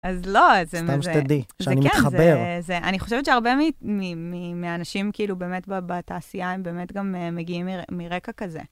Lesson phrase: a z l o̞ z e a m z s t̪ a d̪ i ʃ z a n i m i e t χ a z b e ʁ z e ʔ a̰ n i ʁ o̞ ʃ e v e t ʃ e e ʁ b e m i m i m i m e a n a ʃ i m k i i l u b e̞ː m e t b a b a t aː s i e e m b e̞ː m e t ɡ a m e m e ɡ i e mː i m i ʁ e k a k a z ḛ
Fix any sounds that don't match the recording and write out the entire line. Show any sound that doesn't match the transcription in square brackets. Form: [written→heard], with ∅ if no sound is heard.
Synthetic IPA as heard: a z l o̞ z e a m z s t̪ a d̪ i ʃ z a n i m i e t χ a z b e ʁ z e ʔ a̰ n i [ʁ→χ] o̞ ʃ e v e t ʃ e [e→a] ʁ b e m i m i m i m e a n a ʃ i m k i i l u b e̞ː m e t b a b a t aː s i [e→a] e m b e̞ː m e t ɡ a m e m e ɡ i [e→i] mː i m i ʁ e k a k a z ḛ